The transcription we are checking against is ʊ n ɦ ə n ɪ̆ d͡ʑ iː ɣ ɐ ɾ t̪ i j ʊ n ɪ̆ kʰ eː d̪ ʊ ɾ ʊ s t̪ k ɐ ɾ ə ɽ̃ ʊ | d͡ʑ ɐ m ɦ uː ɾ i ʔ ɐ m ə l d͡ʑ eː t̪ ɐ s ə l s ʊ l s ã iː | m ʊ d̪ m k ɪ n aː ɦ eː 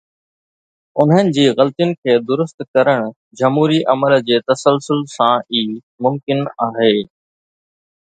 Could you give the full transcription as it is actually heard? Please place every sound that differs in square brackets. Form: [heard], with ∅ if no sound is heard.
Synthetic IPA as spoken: ʊ n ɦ ə n ɪ̆ d͡ʑ iː ɣ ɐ [l] t̪ i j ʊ n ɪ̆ kʰ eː d̪ ʊ ɾ ʊ s t̪ k ɐ ɾ ə ɽ̃ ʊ | d͡ʑ ɐ m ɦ uː ɾ i ʔ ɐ m ə l d͡ʑ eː t̪ ɐ s ə l s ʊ l s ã iː | m ʊ [∅] m k ɪ n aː ɦ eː